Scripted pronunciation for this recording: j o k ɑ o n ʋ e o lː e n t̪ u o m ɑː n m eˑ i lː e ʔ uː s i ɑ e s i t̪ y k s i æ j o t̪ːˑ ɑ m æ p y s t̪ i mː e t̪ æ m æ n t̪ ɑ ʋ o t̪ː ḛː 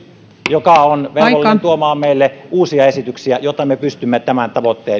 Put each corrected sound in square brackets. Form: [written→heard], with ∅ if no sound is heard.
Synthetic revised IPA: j o k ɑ o n ʋ e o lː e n t̪ u o m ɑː [n→m] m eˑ i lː e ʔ uː s i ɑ e s i t̪ y k s i æ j o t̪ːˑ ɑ m [æ→e] p y s t̪ [i→y] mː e t̪ æ m æ n t̪ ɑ ʋ o t̪ː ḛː